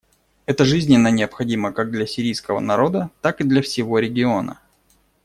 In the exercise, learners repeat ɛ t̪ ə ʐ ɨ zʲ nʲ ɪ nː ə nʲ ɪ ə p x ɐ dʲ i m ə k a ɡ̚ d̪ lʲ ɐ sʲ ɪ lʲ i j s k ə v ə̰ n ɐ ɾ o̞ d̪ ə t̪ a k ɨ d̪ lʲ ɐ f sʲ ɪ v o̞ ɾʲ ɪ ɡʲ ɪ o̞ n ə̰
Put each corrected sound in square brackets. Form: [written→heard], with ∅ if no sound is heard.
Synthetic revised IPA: ɛ t̪ ə ʐ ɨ zʲ nʲ ɪ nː ə nʲ ɪ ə p x ɐ dʲ i m ə k a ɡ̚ d̪ lʲ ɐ sʲ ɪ [lʲ→ɾʲ] i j s k ə v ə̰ n ɐ ɾ o̞ d̪ ə t̪ a k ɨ d̪ lʲ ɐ f sʲ ɪ v o̞ ɾʲ ɪ ɡʲ ɪ o̞ n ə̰